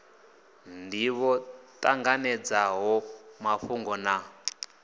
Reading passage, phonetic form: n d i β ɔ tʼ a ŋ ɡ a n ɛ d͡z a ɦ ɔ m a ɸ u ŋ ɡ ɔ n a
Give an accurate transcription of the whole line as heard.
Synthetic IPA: n d i β ɔ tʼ a ŋ ɡ a n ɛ d͡z a ɦ ɔ m a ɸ u ŋ ɡ ɔ n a